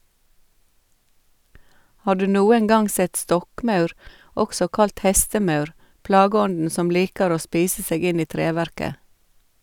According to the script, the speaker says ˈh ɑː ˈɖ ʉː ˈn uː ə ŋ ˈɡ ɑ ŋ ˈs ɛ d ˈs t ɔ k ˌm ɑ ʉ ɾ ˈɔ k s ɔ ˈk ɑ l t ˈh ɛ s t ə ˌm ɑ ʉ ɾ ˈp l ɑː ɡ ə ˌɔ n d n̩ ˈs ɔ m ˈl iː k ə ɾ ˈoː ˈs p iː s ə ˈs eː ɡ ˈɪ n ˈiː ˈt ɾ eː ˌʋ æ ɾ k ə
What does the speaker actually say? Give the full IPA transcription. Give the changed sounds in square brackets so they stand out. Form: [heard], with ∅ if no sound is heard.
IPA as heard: ˈh ɑː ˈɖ ʉː ˈn uː ə ŋ ˈɡ ɑ ŋ ˈs ɛ [t] ˈs t ɔ k ˌm ɑ ʉ ɾ ˈɔ k s ɔ ˈk ɑ l t ˈh ɛ s t ə ˌm ɑ ʉ ɾ ˈp l ɑː ɡ ə ˌɔ n d n̩ ˈs ɔ m ˈl iː k ə ɾ ˈoː ˈs p iː s ə ˈs eː ɡ ˈɪ n ˈiː ˈt ɾ eː ˌʋ æ ɾ k ə